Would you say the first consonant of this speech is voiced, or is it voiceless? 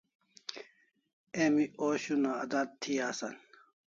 voiced